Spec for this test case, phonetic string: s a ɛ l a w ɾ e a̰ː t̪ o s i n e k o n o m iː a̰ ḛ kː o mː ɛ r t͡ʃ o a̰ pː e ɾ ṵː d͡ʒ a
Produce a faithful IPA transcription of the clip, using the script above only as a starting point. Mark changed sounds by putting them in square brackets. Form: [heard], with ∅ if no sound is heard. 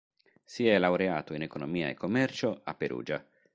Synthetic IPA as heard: s [i] ɛ l a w ɾ e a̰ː t̪ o [∅] i n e k o n o m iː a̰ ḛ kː o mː ɛ r t͡ʃ o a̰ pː e ɾ ṵː d͡ʒ a

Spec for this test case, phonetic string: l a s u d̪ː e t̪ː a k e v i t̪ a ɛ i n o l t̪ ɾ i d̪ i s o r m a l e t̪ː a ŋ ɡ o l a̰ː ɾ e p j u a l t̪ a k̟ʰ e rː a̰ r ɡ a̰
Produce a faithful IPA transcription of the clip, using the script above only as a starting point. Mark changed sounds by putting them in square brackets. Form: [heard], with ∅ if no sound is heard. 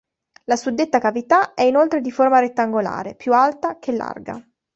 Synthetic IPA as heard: l a s u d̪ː e t̪ː a k [a] v i t̪ a ɛ i n o l t̪ ɾ [e] d̪ i [f] o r m a [ɾ] e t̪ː a ŋ ɡ o l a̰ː ɾ e p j u a l t̪ a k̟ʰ e [lː] a̰ r ɡ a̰

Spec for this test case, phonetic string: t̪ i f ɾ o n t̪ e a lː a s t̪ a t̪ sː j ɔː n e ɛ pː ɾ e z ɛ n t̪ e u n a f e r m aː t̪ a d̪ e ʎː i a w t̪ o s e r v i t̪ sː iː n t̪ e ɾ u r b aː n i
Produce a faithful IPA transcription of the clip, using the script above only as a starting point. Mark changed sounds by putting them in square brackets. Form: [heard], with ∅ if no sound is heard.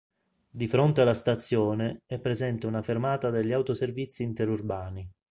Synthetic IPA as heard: [d̪] i f ɾ o n t̪ e a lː a s t̪ a t̪ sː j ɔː n e ɛ pː ɾ e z ɛ n t̪ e u n a f e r m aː t̪ a d̪ e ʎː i a w t̪ o s e r v i t̪ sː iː n t̪ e ɾ u r b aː n i

